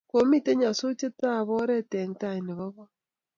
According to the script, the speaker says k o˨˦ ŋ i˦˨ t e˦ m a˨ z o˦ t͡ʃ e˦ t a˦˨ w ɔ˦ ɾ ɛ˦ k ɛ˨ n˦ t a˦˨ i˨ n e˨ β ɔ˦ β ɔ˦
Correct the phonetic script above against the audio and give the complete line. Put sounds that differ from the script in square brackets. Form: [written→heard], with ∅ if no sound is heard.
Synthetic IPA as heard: k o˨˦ [ŋ→m] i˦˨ t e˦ [m→ɲ] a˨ [z→s] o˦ t͡ʃ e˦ t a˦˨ [w→β] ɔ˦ ɾ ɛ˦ [k→t] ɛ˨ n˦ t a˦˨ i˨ n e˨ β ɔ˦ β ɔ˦